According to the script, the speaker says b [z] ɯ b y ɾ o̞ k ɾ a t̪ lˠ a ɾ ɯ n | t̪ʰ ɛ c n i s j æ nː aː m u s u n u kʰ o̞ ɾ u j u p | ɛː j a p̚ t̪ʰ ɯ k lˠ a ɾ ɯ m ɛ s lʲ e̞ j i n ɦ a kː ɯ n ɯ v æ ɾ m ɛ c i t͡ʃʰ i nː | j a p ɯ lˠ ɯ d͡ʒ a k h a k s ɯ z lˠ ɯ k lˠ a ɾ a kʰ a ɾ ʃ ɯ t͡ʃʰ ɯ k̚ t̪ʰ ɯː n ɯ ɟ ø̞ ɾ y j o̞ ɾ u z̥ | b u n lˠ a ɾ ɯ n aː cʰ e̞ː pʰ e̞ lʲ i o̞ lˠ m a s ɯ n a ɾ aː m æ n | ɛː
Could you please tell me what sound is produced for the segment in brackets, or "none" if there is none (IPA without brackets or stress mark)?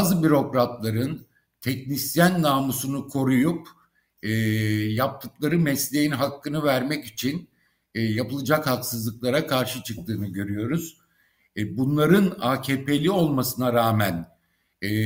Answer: z